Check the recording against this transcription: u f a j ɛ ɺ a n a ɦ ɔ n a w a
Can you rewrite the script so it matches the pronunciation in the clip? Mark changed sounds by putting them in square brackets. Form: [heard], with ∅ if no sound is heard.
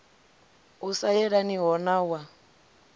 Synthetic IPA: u [s] a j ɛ ɺ a n [i] ɦ ɔ n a w a

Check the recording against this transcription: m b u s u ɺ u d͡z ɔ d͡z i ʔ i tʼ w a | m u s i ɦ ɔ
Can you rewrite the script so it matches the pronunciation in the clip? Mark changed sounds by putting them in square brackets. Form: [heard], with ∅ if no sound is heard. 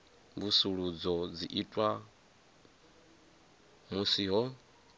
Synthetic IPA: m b u s u ɺ u d͡z ɔ d͡z i ʔ i tʼ w a | m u s i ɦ ɔ

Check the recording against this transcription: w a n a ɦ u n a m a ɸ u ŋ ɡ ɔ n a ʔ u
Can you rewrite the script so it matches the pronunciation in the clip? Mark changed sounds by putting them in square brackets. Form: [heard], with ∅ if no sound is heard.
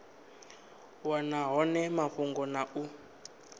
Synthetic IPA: w a n a ɦ [ɔ] n [ɛ] m a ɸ u ŋ ɡ ɔ n a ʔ u

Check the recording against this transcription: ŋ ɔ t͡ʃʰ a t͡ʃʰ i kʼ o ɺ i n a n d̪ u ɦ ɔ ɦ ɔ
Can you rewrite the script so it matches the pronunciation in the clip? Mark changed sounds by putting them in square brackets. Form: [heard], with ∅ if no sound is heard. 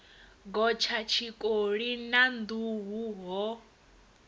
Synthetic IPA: [ɡ] ɔ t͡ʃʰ a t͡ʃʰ i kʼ o ɺ i n a n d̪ u ɦ [u] ɦ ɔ

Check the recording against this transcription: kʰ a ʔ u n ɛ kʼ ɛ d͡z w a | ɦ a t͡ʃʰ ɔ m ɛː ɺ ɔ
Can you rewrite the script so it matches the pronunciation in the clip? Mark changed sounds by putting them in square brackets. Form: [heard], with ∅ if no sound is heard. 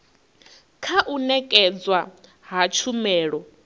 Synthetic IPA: kʰ a ʔ u n ɛ kʼ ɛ d͡z w a | ɦ a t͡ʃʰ [u] m ɛː ɺ ɔ

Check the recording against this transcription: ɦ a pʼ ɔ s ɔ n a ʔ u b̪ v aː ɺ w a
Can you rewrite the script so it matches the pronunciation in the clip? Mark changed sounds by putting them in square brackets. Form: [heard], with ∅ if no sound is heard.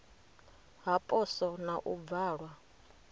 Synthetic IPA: ɦ a pʼ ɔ s ɔ n a ʔ u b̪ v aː ɺ w a

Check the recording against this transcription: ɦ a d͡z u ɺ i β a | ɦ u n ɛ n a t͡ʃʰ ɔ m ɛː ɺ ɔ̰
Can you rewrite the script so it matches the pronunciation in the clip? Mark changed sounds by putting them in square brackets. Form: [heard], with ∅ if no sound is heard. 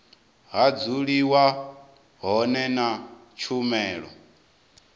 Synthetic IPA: ɦ a d͡z u ɺ i [w] a | ɦ [ɔ] n ɛ n a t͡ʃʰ [u] m ɛː ɺ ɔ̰

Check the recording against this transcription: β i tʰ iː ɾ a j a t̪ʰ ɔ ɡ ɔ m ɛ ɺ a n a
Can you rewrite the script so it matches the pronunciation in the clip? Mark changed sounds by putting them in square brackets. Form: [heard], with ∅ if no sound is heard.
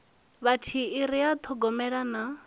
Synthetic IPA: β [a] tʰ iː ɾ [i] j a t̪ʰ ɔ ɡ ɔ m ɛ ɺ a n a

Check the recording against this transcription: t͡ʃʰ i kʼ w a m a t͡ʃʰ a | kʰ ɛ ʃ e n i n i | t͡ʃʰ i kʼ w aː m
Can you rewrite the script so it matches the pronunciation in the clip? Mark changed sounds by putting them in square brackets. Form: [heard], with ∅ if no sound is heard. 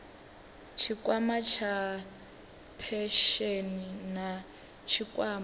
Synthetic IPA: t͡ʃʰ i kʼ w a m a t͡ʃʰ a | [pʰ] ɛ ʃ e n i n [a] | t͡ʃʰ i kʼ w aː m

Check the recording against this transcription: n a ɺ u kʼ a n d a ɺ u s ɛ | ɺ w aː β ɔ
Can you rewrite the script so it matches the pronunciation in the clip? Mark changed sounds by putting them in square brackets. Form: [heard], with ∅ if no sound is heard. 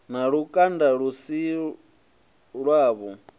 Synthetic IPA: n a ɺ u kʼ a n d a ɺ u s [i] | ɺ w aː β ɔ

